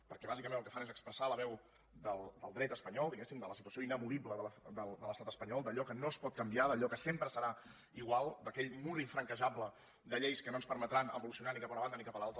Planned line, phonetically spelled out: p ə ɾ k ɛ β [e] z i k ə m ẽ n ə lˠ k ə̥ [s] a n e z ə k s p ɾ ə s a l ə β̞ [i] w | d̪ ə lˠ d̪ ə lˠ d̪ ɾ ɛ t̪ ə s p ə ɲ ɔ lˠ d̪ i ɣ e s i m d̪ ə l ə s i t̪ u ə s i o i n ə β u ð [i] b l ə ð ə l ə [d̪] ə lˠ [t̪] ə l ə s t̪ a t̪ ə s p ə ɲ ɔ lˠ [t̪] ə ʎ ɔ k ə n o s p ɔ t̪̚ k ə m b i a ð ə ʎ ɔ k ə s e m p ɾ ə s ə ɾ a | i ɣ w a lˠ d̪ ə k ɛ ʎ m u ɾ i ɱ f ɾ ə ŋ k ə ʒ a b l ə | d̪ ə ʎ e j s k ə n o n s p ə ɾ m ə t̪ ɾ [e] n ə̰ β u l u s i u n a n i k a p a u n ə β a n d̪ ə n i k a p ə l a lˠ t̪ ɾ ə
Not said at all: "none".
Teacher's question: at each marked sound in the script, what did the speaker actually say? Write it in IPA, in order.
a, f, ɛ, i, d̪, d̪, d̪, a

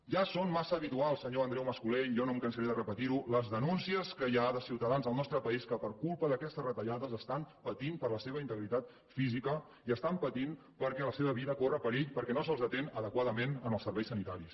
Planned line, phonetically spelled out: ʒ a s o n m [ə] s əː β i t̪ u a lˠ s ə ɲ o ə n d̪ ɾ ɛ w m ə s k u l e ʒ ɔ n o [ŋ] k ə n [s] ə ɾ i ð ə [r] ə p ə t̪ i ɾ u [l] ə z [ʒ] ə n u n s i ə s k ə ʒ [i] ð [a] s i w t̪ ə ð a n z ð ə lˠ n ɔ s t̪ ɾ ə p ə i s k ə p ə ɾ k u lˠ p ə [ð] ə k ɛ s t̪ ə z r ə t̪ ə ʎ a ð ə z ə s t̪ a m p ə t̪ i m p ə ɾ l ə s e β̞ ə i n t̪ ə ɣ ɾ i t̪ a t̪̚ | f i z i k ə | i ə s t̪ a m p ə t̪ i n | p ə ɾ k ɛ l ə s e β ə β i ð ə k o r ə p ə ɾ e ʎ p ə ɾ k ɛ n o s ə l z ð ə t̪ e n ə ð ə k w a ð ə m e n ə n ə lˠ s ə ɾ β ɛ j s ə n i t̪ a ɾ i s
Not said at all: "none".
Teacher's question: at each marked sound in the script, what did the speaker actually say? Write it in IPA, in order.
a, m, s, r, l, ð, a, ə, ð

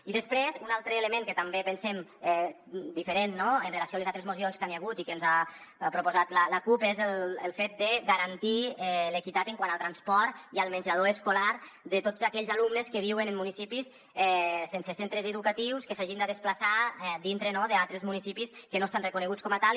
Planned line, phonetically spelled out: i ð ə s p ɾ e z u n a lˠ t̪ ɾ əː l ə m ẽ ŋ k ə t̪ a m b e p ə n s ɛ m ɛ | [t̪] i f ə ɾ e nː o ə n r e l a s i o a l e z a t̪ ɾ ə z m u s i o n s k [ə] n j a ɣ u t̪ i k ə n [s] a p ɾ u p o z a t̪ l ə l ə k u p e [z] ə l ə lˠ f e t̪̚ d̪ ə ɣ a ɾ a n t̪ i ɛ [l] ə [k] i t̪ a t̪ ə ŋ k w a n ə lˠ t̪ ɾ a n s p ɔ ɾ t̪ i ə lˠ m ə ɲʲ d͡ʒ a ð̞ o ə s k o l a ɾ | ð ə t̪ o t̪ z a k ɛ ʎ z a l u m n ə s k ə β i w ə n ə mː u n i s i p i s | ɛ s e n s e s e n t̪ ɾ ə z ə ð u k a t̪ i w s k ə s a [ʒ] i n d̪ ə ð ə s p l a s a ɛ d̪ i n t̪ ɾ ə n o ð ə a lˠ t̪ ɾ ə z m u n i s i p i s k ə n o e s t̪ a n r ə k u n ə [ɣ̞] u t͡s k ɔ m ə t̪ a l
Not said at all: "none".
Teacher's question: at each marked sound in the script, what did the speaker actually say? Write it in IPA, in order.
d̪, a, z, z, l, k, ʒ, ɣ̞

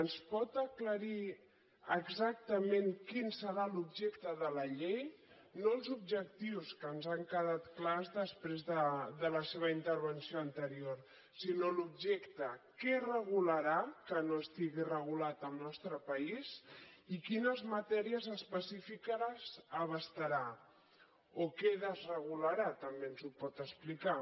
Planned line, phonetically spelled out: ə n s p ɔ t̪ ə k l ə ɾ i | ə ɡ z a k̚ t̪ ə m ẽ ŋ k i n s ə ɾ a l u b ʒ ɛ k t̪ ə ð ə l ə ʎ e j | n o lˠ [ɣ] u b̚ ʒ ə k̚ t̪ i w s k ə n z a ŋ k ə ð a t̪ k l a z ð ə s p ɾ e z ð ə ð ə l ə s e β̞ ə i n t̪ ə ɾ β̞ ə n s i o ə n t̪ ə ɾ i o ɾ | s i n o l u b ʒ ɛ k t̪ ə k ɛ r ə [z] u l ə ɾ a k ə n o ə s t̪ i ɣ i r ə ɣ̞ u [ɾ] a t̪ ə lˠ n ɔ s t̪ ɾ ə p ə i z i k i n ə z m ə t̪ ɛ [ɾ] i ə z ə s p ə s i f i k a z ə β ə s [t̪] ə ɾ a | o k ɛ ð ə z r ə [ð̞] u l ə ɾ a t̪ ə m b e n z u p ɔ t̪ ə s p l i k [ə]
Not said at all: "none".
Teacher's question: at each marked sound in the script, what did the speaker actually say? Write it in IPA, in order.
z, ɣ, l, ɾ, t̪, ɣ̞, a

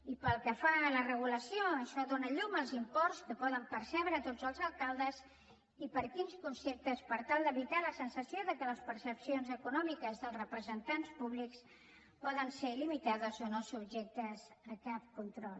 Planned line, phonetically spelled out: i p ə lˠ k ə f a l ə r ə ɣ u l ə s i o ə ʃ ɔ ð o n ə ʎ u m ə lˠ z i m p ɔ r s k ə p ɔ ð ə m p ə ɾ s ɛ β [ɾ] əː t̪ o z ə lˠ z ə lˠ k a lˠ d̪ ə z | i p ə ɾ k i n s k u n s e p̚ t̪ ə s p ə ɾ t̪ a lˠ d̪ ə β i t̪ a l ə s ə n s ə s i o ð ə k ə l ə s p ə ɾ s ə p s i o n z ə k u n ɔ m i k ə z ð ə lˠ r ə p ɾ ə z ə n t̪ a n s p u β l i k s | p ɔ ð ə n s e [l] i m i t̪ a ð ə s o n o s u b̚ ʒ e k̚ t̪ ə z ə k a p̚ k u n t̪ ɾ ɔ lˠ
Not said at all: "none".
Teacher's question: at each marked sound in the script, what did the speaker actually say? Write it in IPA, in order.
ɾ, l

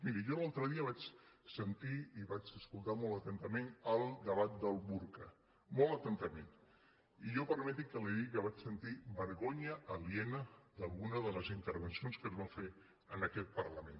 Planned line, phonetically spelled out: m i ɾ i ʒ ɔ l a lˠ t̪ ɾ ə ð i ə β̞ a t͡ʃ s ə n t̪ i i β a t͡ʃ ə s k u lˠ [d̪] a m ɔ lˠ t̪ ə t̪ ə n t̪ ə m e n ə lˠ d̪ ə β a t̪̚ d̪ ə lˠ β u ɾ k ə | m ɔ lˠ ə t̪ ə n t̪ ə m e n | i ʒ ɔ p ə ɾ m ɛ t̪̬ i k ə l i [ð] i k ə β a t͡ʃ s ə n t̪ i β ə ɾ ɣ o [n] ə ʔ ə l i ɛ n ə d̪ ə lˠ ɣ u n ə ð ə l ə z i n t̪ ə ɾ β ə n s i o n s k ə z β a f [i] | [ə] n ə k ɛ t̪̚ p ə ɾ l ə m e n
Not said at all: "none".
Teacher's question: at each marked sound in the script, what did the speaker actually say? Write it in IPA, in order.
t̪, ð, ɲ, e, ə

